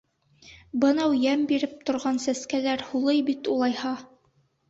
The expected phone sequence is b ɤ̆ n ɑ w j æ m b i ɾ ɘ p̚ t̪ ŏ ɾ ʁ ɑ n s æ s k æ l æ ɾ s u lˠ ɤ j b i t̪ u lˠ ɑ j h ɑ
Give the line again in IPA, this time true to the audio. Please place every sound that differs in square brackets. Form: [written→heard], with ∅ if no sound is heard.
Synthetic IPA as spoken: b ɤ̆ n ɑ w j æ m b i ɾ ɘ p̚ t̪ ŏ ɾ ʁ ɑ n s æ s k æ l æ ɾ [s→h] u lˠ ɤ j b i t̪ u lˠ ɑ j h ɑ